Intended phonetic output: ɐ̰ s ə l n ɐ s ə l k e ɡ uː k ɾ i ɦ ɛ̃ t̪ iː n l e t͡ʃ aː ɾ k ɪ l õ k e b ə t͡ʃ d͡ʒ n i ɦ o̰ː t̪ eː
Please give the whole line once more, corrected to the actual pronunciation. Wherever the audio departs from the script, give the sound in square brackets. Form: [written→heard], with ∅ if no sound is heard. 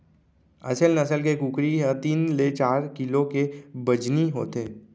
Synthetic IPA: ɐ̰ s ə l n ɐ s ə l k e [ɡ→k] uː k ɾ i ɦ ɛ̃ t̪ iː n l e t͡ʃ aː ɾ k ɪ l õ k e b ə [t͡ʃ→∅] d͡ʒ n i ɦ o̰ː t̪ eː